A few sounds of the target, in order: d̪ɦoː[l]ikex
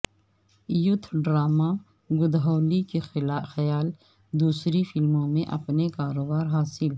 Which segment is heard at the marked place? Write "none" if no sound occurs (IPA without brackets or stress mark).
l